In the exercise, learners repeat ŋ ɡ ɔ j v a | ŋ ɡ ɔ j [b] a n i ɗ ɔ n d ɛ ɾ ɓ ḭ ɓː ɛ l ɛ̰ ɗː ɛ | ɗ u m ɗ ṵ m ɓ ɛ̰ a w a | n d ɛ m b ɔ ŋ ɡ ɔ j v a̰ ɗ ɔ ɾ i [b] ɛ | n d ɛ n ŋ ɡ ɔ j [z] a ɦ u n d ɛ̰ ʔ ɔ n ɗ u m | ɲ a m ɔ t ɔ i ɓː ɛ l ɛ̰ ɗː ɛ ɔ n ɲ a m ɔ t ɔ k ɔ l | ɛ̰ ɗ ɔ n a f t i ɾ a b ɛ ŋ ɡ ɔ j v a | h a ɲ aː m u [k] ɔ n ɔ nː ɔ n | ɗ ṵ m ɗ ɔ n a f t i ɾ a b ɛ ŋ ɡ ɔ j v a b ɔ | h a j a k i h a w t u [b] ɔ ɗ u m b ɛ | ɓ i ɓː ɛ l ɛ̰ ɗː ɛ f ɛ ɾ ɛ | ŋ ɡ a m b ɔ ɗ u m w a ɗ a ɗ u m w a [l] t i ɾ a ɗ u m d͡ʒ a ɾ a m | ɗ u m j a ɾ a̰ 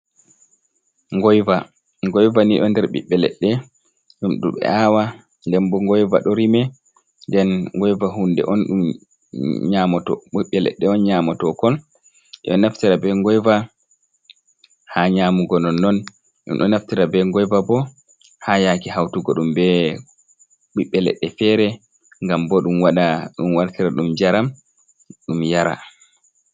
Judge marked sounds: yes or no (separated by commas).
no, no, no, no, no, no